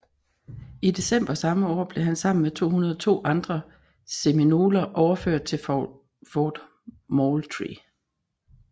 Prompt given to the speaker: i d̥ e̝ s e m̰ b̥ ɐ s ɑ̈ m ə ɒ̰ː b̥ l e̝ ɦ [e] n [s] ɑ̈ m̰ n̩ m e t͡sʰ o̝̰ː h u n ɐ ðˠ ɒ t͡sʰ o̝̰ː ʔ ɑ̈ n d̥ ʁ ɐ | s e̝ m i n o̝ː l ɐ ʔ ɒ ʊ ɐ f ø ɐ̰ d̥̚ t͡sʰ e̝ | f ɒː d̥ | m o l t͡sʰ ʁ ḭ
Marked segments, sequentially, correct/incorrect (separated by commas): incorrect, correct